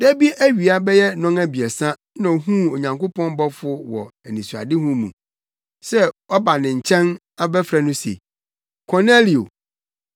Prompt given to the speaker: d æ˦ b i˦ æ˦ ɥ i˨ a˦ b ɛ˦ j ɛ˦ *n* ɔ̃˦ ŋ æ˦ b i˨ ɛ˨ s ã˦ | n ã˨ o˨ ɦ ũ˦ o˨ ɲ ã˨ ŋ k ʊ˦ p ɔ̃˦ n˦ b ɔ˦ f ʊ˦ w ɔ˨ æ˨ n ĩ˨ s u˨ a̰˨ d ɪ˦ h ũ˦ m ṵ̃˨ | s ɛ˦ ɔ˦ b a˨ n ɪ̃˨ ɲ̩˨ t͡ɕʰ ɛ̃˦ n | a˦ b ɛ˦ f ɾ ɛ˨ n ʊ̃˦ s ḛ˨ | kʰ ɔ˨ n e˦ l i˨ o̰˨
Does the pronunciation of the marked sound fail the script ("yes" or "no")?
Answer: no